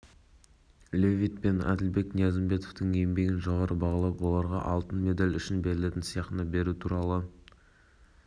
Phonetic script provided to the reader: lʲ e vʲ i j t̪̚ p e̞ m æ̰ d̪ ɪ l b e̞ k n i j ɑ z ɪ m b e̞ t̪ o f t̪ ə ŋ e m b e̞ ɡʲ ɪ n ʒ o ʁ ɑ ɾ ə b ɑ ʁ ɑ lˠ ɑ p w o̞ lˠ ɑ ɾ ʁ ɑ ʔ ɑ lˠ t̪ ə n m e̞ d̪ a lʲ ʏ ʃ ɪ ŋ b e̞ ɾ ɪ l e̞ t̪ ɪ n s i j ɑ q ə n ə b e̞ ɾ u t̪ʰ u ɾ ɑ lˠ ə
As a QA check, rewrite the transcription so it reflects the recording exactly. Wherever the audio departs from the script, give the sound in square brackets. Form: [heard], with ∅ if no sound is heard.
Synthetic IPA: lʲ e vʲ i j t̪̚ p e̞ [n] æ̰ d̪ ɪ l b e̞ k n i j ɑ z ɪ m b e̞ t̪ o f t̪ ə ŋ e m b e̞ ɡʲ ɪ n ʒ o ʁ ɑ ɾ ə b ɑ ʁ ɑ lˠ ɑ p w o̞ lˠ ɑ ɾ ʁ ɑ ʔ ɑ lˠ t̪ ə n m e̞ d̪ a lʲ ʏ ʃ ɪ [n] b e̞ ɾ ɪ l e̞ t̪ ɪ n s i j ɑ q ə n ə b e̞ ɾ u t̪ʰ u ɾ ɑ lˠ ə